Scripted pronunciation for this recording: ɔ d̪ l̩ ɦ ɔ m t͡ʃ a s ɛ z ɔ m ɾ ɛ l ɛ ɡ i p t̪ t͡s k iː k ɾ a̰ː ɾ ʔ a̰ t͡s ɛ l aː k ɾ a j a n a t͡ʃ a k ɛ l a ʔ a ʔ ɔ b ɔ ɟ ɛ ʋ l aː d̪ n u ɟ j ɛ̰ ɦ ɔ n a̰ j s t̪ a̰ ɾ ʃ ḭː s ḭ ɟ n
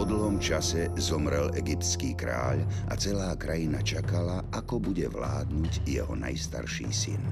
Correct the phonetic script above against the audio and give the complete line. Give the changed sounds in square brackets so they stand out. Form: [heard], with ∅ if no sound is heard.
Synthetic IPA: ɔ d̪ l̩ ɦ ɔ m t͡ʃ a s ɛ z ɔ m ɾ ɛ l ɛ ɡ i p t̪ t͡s k iː k ɾ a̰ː [ʎ] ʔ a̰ t͡s ɛ l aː k ɾ a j [i] n a t͡ʃ a k [a] l a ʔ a [k] ɔ b [u] ɟ ɛ ʋ l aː d̪ n u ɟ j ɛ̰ ɦ ɔ n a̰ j s t̪ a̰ ɾ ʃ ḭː s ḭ [∅] n